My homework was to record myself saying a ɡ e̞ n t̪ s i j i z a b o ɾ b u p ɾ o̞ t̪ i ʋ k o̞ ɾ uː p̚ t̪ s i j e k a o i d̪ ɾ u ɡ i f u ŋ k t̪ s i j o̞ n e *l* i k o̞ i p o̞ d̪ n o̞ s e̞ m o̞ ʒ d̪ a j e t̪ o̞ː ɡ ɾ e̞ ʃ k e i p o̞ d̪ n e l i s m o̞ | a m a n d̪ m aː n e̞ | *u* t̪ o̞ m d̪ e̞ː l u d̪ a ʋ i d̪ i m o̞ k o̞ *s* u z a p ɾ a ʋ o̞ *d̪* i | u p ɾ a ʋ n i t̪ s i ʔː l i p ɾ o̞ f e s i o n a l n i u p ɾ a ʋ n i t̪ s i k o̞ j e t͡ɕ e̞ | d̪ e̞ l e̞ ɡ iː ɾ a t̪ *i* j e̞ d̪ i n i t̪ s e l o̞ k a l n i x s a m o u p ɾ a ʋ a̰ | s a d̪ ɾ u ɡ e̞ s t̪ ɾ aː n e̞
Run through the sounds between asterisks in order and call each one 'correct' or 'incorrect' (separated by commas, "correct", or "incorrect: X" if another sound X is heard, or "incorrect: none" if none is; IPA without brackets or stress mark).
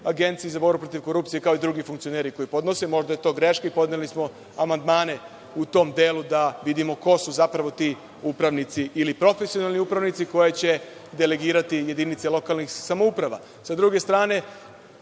incorrect: ɾ, correct, correct, incorrect: t̪, correct